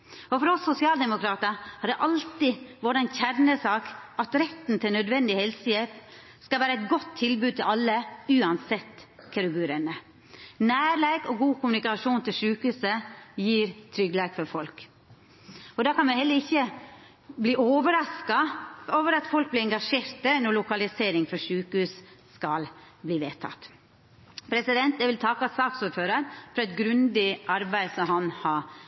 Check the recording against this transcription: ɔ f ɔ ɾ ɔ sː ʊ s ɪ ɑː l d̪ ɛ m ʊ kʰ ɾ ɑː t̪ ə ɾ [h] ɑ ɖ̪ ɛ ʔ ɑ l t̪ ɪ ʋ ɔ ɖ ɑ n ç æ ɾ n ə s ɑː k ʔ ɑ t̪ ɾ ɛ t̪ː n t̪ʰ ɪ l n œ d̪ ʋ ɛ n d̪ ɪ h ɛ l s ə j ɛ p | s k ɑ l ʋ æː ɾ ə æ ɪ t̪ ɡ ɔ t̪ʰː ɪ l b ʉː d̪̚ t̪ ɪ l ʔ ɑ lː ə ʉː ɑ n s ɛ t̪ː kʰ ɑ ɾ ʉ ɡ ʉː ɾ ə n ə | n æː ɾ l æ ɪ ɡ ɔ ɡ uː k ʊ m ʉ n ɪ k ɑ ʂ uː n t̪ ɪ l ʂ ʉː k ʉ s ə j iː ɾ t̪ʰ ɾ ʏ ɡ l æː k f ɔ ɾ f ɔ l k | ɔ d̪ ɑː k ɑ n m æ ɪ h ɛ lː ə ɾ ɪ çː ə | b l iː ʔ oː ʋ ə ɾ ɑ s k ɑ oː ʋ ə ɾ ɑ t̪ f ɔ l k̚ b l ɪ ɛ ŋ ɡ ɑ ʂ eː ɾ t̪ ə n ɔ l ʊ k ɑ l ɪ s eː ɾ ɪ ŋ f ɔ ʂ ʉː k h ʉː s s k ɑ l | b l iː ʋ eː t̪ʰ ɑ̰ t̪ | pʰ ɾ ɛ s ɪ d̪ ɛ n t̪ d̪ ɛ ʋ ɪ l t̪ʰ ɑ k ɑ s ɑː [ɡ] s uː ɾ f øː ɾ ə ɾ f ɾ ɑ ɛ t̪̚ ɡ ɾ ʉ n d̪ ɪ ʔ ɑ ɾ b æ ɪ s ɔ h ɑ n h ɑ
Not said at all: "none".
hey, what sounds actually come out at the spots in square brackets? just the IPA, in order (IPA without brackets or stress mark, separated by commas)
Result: h, k